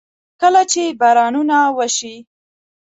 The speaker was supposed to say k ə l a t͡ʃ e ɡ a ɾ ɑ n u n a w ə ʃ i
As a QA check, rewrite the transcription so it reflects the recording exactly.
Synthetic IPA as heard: k ə l a t͡ʃ e b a ɾ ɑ n u n a w ə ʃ i